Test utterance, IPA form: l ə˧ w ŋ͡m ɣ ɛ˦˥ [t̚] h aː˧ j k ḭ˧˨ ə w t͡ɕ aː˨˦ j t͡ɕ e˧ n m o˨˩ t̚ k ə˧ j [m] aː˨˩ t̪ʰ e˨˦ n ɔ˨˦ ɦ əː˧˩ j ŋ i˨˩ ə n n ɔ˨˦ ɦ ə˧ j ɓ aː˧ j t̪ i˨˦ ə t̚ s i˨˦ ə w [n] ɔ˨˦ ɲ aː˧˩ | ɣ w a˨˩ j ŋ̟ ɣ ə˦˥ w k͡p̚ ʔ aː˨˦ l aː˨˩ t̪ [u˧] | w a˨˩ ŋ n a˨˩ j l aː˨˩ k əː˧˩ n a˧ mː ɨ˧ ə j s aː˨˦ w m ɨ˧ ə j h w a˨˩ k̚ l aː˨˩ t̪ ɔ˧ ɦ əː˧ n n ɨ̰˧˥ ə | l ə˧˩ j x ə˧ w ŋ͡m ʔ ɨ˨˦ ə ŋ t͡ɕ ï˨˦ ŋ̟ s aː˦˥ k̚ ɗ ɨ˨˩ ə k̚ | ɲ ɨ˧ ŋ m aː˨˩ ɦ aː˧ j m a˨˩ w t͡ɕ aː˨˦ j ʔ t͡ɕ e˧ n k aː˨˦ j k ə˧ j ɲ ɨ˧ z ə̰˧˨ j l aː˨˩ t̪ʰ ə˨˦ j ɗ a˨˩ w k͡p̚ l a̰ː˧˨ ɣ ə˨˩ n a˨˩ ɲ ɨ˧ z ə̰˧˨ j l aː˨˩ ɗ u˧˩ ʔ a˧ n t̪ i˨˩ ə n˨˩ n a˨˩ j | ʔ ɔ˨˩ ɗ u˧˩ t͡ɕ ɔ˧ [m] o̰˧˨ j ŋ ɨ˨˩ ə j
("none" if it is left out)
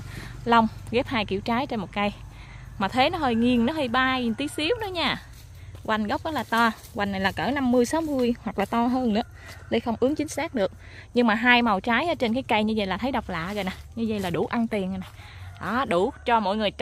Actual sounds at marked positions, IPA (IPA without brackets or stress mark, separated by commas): p̚, m, n, ɔ˧, m